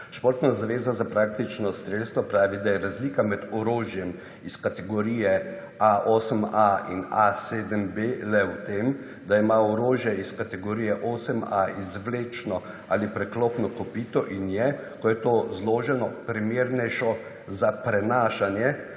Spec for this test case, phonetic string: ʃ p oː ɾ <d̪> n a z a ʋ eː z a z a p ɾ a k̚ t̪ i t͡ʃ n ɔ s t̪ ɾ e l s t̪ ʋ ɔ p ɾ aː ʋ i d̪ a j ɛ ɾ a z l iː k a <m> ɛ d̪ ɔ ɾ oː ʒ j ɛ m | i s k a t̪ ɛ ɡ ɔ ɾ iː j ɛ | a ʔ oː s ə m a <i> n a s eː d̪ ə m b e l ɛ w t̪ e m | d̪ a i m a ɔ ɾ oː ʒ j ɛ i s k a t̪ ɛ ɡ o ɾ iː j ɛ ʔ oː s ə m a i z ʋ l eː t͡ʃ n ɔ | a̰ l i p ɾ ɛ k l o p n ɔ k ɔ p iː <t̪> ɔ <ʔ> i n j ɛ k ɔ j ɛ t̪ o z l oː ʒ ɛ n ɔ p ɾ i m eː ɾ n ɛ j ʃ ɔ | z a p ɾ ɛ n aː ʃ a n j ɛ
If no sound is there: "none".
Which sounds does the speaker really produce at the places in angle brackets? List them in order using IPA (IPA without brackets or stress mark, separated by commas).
t̪, m, i, t̪, ʔ